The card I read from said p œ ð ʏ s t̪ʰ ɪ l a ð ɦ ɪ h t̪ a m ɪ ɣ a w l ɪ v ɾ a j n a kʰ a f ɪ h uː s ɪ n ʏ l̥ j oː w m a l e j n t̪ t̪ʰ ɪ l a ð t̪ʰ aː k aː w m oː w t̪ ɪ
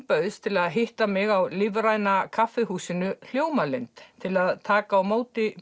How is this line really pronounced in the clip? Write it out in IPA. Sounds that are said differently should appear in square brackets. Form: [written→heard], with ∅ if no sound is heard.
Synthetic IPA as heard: p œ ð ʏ s t̪ʰ ɪ l a ð ɦ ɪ h t̪ a m ɪ ɣ a w l ɪ v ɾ a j n a kʰ a f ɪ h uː s ɪ n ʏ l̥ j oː w m a l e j n t̪ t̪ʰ ɪ l a ð t̪ʰ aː k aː w m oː w t̪ ɪ